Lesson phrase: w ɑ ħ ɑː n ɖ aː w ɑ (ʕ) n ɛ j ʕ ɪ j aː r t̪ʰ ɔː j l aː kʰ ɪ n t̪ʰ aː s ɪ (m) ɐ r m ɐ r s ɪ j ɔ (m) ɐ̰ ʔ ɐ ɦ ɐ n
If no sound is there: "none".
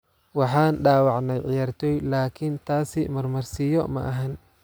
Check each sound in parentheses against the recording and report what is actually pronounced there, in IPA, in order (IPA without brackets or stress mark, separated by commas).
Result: ʕ, m, m